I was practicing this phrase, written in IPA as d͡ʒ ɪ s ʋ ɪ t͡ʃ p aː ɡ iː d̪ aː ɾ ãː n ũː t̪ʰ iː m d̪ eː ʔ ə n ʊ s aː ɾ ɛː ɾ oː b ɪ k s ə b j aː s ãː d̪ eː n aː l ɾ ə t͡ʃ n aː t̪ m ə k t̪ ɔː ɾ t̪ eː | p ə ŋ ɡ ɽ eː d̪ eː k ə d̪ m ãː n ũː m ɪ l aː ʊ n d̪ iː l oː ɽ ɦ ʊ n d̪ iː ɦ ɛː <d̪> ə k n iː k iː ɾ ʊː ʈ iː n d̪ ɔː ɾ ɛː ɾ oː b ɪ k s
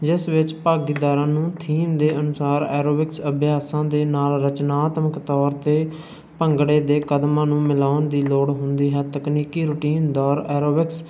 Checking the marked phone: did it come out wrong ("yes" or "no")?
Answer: yes